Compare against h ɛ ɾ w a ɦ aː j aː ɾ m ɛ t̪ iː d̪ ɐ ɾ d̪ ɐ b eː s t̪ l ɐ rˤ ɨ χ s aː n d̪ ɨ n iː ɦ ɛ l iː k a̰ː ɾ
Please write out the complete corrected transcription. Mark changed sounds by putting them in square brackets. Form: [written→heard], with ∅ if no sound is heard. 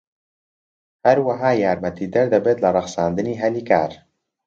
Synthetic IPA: h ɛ ɾ w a ɦ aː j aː ɾ m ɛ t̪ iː d̪ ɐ ɾ d̪ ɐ b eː [s→∅] t̪ l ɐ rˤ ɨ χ s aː n d̪ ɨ n iː ɦ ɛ l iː k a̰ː ɾ

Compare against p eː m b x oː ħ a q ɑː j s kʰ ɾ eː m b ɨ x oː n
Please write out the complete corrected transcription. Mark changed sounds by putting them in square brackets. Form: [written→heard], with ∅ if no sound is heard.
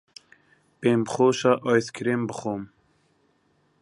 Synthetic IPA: p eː m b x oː [ħ→ʃ] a [q→ʔ] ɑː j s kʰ ɾ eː m b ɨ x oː [n→m]

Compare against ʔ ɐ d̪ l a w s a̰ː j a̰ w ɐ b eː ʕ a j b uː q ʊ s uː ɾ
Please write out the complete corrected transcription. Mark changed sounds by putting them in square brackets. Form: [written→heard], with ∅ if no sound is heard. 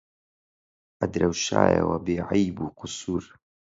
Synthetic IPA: ʔ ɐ d̪ [l→ɾ] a w [s→ʃ] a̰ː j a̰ w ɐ b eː ʕ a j b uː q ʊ s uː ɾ

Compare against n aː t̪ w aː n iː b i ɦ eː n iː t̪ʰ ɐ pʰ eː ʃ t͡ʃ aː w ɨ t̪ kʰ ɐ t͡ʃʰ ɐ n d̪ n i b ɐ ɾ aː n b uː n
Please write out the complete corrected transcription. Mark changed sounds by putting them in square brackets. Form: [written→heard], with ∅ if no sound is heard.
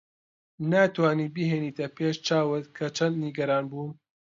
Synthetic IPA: n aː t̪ w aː n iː b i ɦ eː n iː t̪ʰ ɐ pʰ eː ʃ t͡ʃ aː w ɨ t̪ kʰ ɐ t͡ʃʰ ɐ n d̪ n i [b→ɡ] ɐ ɾ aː n b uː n

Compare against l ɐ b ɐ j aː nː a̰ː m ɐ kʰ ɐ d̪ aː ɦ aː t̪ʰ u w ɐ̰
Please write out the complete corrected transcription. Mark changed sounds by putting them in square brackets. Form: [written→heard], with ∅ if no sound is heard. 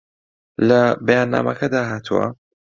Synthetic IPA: l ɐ b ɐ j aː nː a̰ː m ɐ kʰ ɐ d̪ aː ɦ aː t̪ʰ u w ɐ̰

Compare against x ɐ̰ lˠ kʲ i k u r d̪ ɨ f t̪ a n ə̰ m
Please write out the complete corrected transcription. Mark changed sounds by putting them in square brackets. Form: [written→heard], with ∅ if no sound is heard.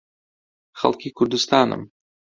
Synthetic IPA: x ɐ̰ lˠ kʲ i k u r d̪ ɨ [f→s] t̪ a n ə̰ m

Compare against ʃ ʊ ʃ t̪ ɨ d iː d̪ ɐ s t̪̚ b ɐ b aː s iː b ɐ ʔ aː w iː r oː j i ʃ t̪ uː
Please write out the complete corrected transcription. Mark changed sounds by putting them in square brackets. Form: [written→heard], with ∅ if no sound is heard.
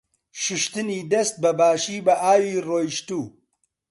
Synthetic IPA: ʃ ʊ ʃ t̪ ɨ [d→n] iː d̪ ɐ s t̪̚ b ɐ b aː [s→ʃ] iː b ɐ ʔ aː w iː r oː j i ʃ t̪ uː

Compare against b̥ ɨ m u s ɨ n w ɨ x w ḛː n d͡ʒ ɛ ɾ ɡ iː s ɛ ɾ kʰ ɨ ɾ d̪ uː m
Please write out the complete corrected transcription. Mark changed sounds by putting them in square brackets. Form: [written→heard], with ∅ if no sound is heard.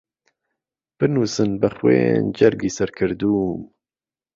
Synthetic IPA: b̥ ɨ [m→n] u s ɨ n [w→b] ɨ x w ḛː n d͡ʒ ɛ ɾ ɡ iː s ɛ ɾ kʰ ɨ ɾ d̪ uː m

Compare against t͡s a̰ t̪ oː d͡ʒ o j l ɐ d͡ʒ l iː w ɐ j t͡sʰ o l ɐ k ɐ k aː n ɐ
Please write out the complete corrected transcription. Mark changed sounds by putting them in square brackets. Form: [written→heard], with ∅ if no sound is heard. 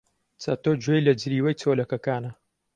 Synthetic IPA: t͡s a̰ t̪ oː d͡ʒ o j l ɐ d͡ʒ [l→ɾ] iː w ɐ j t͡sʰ o l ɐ k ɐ k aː n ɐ

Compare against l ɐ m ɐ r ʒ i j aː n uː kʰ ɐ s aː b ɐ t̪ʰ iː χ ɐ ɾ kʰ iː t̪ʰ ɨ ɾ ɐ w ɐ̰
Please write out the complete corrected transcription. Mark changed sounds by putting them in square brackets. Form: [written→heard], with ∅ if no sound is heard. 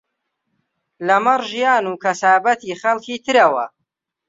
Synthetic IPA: l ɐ m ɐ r ʒ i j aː n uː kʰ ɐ s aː b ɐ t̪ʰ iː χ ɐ [ɾ→l] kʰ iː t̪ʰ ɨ ɾ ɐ w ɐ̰

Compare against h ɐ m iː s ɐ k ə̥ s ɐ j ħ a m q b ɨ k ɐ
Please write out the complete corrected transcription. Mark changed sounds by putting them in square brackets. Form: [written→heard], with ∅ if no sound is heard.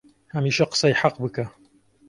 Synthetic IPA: h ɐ m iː [s→ʃ] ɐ [k→q] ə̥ s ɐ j ħ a [m→∅] q b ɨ k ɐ

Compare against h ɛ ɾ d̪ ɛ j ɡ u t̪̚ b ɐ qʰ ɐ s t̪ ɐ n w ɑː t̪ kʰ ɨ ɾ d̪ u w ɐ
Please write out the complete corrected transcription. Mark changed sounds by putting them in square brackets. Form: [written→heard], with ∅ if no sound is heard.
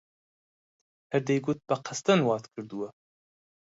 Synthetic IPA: h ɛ ɾ d̪ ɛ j ɡ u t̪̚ b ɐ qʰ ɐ s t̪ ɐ n w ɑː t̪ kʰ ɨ ɾ d̪ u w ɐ

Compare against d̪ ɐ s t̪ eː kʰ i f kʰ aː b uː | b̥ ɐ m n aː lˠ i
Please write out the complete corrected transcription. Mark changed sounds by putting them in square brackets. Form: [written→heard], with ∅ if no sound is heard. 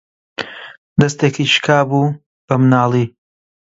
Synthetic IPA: d̪ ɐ s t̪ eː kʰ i [f→ʃ] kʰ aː b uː | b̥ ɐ m n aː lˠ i

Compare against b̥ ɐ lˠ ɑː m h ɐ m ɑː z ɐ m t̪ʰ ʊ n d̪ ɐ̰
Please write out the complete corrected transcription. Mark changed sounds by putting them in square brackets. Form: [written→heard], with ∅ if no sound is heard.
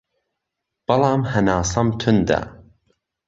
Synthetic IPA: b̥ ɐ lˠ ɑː m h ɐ [m→n] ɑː [z→s] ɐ m t̪ʰ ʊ n d̪ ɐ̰

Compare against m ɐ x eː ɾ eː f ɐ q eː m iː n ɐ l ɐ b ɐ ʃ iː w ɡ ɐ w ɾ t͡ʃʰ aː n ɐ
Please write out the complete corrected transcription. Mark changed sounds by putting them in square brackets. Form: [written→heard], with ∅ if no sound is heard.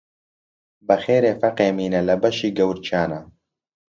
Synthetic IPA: [m→b] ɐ x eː ɾ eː f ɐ q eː m iː n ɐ l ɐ b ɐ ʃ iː [w→∅] ɡ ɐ w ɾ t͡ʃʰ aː n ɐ

